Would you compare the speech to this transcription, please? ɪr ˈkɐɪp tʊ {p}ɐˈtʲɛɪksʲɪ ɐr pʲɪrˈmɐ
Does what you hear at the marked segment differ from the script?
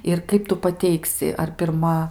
no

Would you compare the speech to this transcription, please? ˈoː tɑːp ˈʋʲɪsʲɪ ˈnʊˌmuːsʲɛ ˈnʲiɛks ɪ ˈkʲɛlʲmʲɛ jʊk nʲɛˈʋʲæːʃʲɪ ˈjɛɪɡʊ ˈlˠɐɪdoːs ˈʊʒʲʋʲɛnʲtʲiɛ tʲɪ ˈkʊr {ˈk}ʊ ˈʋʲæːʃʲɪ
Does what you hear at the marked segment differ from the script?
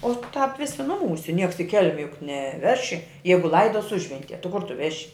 yes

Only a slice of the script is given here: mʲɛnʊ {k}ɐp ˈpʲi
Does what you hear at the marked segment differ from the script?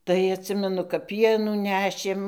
no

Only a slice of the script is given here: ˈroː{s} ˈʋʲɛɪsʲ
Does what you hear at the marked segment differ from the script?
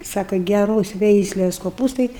no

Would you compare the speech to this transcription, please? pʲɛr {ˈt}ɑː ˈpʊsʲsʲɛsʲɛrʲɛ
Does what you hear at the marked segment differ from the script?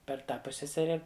no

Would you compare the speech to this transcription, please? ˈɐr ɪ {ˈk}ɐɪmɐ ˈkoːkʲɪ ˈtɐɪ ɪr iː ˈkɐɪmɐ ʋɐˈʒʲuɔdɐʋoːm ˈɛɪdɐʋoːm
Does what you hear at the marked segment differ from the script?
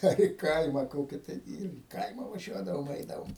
no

